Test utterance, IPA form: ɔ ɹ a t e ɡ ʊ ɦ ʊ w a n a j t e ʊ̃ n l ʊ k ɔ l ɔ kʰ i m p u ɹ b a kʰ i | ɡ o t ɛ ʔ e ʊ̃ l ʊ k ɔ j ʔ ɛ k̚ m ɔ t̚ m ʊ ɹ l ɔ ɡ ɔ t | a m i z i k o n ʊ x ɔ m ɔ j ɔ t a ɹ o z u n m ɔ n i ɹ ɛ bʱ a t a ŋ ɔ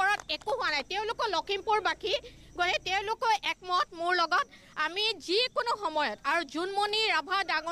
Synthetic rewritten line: ɔ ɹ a t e k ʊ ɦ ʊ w a n a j t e ʊ̃ l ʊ k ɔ l ɔ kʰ i m p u ɹ b a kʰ i | ɡ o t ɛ t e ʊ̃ l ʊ k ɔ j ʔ ɛ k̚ m ɔ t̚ m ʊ ɹ l ɔ ɡ ɔ t | a m i z i k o n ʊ x ɔ m ɔ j ɔ t a ɹ u z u n m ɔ n i ɹ a bʱ a d a ŋ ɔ